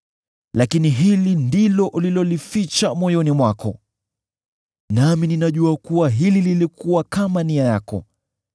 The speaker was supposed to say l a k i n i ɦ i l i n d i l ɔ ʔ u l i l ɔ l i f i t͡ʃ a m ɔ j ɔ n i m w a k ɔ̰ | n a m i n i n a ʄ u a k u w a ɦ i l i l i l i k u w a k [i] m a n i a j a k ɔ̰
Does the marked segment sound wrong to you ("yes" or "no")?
yes